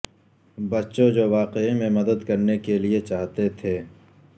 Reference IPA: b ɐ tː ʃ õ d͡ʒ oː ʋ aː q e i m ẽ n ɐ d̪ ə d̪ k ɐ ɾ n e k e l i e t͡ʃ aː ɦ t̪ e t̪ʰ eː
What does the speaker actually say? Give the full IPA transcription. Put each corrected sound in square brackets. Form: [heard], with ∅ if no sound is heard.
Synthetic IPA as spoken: b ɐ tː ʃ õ d͡ʒ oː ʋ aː q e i m ẽ [m] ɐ d̪ ə d̪ k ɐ ɾ n e k e l i e t͡ʃ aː ɦ t̪ e t̪ʰ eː